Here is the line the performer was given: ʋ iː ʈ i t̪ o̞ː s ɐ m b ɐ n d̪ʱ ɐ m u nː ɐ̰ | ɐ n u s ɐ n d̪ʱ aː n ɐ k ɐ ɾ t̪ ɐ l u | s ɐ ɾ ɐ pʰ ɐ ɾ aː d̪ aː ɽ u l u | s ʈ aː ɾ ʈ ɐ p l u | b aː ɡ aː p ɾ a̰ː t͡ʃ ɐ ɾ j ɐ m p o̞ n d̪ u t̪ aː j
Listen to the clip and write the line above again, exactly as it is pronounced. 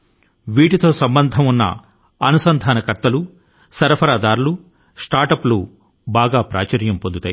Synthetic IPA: ʋ iː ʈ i t̪ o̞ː s ɐ m b ɐ n d̪ʱ ɐ m u nː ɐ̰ | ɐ n u s ɐ n d̪ʱ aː n ɐ k ɐ ɾ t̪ ɐ l u | s ɐ ɾ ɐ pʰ ɐ ɾ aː d̪ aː ɾ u l u | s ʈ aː ɾ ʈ ɐ p l u | b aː ɡ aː p ɾ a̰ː t͡ʃ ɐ ɾ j ɐ m p o̞ n d̪ u t̪ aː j